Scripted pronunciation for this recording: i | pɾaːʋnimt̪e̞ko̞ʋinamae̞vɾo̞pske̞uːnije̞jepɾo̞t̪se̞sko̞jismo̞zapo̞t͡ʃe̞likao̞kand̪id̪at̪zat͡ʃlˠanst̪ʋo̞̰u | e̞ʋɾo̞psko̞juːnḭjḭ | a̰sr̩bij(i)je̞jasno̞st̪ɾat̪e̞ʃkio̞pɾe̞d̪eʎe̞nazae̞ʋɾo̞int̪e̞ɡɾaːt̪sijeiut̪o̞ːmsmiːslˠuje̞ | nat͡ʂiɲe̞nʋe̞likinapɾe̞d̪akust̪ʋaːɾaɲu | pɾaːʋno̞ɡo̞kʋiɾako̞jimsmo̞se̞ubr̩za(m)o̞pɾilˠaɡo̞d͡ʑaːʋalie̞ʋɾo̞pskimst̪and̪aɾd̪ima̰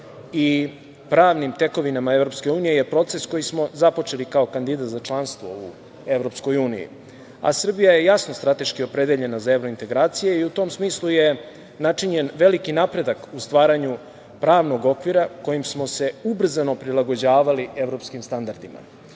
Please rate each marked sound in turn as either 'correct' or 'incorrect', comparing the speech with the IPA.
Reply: incorrect: a, incorrect: n

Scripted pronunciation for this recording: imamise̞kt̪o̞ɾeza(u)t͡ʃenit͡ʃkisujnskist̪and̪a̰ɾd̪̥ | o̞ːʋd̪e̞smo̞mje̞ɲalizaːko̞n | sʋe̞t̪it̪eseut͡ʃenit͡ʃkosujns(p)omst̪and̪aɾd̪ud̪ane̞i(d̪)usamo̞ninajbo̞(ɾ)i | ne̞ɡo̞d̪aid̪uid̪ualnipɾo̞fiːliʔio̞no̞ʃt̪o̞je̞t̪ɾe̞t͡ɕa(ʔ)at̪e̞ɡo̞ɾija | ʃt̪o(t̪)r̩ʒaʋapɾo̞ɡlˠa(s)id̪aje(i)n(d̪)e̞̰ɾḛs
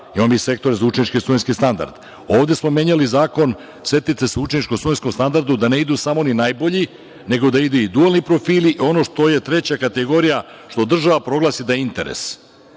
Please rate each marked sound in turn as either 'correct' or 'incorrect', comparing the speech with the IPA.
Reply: correct, incorrect: k, correct, incorrect: ʎ, incorrect: k, incorrect: d̪, correct, correct, incorrect: t̪

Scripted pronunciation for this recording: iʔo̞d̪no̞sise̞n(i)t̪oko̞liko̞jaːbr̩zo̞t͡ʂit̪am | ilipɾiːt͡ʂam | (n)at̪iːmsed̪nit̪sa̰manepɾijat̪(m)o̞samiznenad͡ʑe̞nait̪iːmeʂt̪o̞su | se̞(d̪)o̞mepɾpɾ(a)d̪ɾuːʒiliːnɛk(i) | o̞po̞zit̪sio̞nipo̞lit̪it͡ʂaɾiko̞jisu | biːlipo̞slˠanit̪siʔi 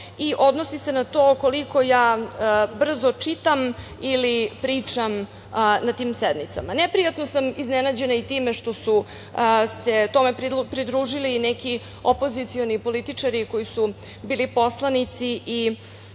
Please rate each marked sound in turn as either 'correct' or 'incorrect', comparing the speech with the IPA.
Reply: incorrect: a, correct, incorrect: n, incorrect: t̪, incorrect: i, correct

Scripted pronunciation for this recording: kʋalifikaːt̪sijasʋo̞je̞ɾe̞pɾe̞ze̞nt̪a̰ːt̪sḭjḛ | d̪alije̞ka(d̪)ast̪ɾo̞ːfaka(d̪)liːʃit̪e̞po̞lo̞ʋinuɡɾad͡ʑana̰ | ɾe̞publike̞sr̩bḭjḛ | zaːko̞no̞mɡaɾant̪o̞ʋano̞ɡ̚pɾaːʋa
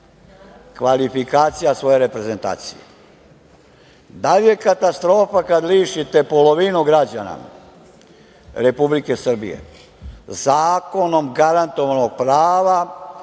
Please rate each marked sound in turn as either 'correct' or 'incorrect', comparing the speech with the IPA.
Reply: incorrect: t̪, correct

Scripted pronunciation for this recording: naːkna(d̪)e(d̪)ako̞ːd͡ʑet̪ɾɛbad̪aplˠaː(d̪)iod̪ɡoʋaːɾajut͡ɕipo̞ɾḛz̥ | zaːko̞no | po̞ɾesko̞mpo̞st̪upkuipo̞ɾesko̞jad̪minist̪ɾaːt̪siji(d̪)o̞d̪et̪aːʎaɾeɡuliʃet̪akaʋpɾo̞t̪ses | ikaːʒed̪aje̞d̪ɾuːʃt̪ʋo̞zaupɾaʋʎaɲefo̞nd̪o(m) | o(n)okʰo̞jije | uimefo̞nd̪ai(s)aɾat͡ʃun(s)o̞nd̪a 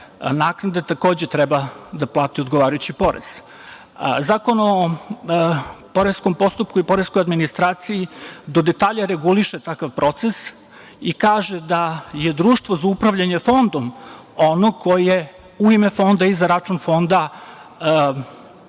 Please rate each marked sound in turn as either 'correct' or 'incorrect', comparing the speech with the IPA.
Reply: correct, incorrect: t̪, incorrect: t̪, correct, correct, correct, incorrect: z, incorrect: f

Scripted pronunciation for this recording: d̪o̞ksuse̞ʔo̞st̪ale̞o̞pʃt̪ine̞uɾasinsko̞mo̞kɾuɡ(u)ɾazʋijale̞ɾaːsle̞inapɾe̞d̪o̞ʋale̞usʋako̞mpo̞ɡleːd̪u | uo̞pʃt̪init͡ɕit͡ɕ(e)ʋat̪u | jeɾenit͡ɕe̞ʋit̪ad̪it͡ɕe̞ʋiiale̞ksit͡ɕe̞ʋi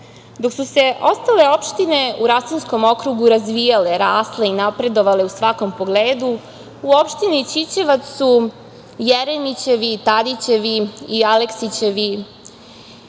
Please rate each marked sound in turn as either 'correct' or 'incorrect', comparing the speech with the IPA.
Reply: correct, correct

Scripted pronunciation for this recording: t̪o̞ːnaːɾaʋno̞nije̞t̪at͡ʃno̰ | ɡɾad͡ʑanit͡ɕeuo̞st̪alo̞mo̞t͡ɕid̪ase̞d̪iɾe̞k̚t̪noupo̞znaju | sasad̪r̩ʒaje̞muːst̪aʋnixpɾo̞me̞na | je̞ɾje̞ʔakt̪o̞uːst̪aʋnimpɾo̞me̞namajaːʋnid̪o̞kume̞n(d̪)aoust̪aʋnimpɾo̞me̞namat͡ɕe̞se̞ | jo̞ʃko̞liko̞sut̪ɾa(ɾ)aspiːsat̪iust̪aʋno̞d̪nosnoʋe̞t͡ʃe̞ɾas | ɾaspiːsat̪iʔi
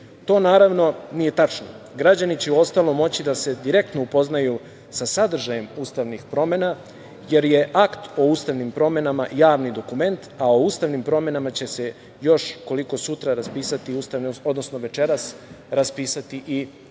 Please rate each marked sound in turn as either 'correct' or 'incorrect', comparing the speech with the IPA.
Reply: incorrect: t̪, correct

